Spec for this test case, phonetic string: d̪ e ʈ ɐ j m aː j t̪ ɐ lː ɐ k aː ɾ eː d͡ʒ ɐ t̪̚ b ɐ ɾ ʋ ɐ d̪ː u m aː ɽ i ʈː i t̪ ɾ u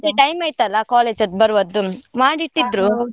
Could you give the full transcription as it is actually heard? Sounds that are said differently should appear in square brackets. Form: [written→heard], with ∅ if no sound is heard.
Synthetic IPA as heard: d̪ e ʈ ɐ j m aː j t̪ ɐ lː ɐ k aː [ɾ→l] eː d͡ʒ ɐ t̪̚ b ɐ ɾ ʋ ɐ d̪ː u m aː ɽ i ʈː i [t̪→d̪] ɾ u